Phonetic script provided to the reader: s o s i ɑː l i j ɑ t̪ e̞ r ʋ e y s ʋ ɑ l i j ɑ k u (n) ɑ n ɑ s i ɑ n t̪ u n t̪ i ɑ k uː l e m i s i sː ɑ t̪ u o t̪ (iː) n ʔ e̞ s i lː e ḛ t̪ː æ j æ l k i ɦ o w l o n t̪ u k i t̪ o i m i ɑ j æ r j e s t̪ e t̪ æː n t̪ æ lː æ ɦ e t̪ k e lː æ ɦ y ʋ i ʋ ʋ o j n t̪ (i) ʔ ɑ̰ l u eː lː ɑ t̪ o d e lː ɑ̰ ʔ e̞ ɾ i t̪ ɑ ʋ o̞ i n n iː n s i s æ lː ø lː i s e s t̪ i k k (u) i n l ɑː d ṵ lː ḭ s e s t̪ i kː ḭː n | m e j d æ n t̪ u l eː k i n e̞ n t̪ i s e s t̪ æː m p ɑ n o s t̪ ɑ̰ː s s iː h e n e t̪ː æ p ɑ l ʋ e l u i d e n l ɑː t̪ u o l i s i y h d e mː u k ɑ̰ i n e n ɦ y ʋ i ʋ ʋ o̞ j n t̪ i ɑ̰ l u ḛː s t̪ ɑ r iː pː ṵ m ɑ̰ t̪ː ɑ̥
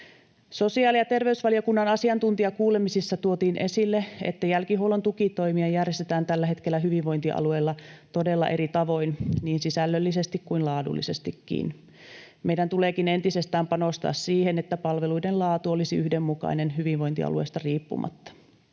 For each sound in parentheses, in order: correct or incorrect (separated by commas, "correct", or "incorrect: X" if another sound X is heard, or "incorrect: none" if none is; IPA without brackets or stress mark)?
incorrect: nː, correct, correct, correct